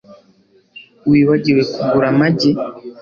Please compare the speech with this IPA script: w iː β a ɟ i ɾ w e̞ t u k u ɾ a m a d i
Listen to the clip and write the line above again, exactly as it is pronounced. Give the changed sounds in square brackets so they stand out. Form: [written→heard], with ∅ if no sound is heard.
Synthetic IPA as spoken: w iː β a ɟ i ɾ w e̞ [t→k] u [k→ɡ] u ɾ a m a [d→ɟ] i